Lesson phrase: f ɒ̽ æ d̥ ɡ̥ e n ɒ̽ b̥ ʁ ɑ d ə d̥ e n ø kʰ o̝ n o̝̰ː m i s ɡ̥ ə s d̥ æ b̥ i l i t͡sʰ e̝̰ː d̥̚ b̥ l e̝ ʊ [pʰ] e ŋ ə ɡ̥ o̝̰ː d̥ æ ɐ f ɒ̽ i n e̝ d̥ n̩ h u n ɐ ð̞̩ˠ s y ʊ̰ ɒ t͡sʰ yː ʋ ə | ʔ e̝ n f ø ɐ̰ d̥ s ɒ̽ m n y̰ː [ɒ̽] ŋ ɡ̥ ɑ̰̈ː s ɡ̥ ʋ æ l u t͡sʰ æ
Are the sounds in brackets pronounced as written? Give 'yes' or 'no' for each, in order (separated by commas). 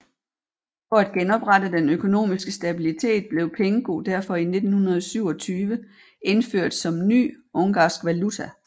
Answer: yes, no